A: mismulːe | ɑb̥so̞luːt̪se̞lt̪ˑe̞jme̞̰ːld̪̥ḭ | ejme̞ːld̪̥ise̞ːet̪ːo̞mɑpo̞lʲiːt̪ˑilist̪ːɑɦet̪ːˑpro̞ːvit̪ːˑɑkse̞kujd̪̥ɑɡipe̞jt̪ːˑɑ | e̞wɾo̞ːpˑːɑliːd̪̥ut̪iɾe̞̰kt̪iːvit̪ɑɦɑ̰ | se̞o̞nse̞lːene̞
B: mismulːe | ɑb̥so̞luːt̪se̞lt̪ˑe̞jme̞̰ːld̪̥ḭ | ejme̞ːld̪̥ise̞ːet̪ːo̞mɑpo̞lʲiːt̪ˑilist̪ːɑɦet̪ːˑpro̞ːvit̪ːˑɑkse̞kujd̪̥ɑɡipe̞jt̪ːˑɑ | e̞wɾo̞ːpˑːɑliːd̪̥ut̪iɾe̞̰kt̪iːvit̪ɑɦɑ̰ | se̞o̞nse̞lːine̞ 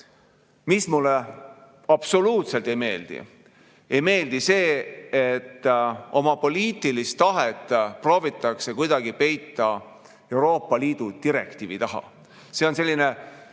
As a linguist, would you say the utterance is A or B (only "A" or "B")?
B